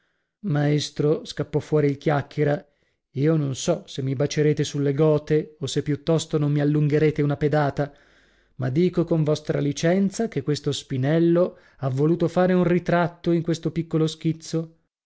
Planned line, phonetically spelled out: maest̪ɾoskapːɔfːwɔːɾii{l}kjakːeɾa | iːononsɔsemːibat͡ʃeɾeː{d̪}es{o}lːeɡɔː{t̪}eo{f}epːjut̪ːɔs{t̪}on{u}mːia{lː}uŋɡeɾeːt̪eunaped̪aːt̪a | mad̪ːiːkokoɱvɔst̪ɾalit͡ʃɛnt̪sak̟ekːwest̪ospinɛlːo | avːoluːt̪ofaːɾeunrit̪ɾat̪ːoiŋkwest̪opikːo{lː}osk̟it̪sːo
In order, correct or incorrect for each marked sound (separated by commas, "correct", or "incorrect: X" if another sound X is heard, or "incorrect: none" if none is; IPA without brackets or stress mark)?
correct, incorrect: t̪, incorrect: u, correct, incorrect: s, correct, incorrect: o, correct, incorrect: l